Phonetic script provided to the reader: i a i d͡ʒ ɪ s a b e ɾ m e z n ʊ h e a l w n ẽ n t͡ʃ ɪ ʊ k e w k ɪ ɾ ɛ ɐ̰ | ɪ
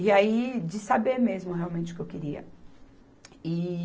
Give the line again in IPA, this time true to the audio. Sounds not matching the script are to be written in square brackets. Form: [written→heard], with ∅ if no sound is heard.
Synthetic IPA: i a i d͡ʒ ɪ s a b e ɾ m e z [n→m] ʊ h e a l w [n→m] ẽ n t͡ʃ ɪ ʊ k e w k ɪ ɾ [ɛ→i] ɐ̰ | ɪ